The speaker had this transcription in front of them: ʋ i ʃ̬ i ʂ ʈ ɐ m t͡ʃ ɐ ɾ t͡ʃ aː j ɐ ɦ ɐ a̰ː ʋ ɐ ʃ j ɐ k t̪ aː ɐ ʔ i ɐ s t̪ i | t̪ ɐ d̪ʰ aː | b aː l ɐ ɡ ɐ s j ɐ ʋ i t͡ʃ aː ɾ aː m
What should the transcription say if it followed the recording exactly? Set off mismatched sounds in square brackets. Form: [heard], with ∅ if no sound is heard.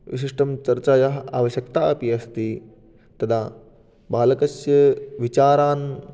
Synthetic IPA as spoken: ʋ i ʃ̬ i ʂ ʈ ɐ m t͡ʃ ɐ ɾ t͡ʃ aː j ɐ ɦ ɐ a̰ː ʋ ɐ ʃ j ɐ k t̪ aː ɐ [p] i ɐ s t̪ i | t̪ ɐ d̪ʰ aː | b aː l ɐ [k] ɐ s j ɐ ʋ i t͡ʃ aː ɾ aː [n]